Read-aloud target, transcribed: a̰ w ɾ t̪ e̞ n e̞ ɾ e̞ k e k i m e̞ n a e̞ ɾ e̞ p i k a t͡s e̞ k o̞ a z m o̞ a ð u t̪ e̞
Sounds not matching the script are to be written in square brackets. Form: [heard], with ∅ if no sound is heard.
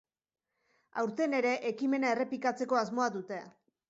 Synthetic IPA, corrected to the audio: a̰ w ɾ t̪ e̞ n e̞ ɾ e̞ [ʔ] e k i m e̞ n a e̞ [r] e̞ p i k a t͡s e̞ k o̞ a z m o̞ a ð u t̪ e̞

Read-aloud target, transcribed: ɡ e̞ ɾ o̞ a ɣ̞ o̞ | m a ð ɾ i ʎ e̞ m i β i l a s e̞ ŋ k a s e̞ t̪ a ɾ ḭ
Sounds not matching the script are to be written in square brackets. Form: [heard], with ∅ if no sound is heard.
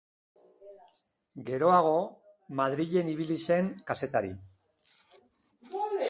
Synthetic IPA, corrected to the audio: ɡ e̞ ɾ o̞ a ɣ̞ o̞ | m a ð ɾ i ʎ e̞ [n] i β i l [i] s e̞ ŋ k a s e̞ t̪ a ɾ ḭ

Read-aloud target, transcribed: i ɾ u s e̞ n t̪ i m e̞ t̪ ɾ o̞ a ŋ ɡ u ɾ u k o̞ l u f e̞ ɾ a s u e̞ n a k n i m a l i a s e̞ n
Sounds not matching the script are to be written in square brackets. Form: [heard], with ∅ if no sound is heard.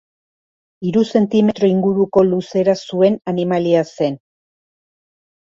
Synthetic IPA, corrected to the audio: i ɾ u s e̞ n t̪ i m e̞ t̪ ɾ o̞ [i] ŋ ɡ u ɾ u k o̞ l u [s] e̞ ɾ a s u e̞ n a [∅] n i m a l i a s e̞ n

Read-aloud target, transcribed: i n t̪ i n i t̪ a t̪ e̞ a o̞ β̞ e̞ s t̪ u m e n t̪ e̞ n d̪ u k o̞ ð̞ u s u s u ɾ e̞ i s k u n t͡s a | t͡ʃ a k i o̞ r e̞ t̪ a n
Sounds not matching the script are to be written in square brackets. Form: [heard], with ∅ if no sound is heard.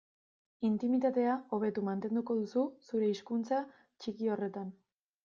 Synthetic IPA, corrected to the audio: i n t̪ i [m] i t̪ a t̪ e̞ a o̞ β̞ e̞ [∅] t̪ u m [a] n t̪ e̞ n d̪ u k o̞ ð̞ u s u s u ɾ e̞ i s k u n t͡s a | t͡ʃ [i] k i o̞ r e̞ t̪ a n

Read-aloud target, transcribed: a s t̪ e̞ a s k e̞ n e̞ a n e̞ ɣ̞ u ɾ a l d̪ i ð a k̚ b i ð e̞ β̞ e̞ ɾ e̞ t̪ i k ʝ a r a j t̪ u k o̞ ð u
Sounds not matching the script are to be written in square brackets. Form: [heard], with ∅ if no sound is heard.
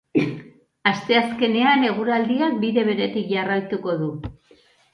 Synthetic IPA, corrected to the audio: a s t̪ e̞ a s k e̞ n e̞ a n e̞ ɣ̞ u ɾ a l d̪ i [∅] a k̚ b i ð e̞ β̞ e̞ ɾ e̞ t̪ i k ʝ a r a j t̪ u k o̞ ð u

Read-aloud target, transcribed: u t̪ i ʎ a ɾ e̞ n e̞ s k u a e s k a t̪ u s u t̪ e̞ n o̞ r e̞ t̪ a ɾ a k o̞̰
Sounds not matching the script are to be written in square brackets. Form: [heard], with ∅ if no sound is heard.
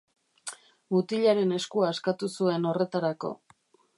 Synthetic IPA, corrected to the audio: u t̪ i ʎ a ɾ e̞ n e̞ s k u a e s k a t̪ u s u [∅] e̞ n o̞ r e̞ t̪ a ɾ a k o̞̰

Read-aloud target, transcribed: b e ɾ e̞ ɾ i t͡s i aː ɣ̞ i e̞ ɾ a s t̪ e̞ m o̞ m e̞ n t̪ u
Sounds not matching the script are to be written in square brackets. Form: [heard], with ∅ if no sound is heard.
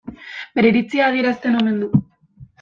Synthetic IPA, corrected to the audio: b e ɾ e̞ ɾ i t͡s i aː [ð̞] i e̞ ɾ a s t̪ e̞ [n] o̞ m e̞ n [d̪] u

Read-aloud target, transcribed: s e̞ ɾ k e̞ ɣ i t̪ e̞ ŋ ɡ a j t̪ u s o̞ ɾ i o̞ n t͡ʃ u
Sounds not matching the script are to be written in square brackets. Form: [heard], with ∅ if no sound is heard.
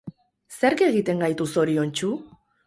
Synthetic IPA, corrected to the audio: s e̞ ɾ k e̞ ɣ i t̪ e̞ ŋ ɡ a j t̪ u s o̞ ɾ i o̞ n t͡ʃ u

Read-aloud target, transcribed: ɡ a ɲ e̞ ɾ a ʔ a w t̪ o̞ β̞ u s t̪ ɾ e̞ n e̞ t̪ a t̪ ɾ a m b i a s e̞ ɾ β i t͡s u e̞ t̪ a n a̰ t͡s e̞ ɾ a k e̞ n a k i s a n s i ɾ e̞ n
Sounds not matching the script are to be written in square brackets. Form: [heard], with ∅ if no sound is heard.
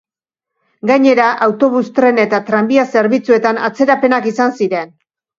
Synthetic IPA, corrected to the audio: ɡ a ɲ e̞ ɾ a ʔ a w t̪ o̞ β̞ u s t̪ ɾ e̞ n e̞ t̪ a t̪ ɾ a m b i a s e̞ ɾ β i t͡s u e̞ t̪ a n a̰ t͡s e̞ ɾ a [p] e̞ n a k i s a n s i ɾ e̞ n

